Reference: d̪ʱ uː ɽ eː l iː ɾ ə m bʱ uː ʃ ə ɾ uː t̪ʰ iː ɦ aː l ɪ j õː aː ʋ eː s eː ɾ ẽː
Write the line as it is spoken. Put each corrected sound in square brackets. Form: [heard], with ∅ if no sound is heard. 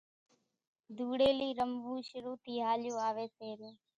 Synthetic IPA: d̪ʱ uː ɽ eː l iː ɾ ə m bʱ uː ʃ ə ɾ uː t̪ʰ iː ɦ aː l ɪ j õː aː ʋ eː s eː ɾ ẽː